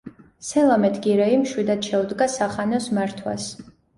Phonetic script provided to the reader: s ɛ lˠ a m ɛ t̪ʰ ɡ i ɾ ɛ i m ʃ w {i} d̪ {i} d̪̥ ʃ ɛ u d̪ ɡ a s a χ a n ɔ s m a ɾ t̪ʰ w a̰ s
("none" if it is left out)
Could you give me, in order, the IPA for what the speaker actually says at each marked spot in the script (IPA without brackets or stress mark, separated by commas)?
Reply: i, a